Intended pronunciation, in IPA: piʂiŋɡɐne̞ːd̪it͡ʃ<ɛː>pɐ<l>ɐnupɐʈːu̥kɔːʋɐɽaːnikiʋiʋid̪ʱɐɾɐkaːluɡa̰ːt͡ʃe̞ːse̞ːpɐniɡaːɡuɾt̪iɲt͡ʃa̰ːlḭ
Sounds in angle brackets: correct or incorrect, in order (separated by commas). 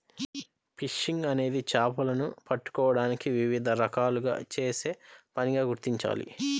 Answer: incorrect, correct